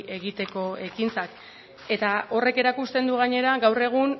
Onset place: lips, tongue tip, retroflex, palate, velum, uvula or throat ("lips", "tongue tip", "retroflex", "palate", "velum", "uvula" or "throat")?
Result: velum